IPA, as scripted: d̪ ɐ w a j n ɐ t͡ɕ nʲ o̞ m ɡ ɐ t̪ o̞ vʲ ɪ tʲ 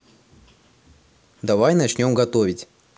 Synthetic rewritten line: d̪ ɐ v a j n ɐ t͡ɕ nʲ o̞ m ɡ ɐ t̪ o̞ vʲ ɪ tʲ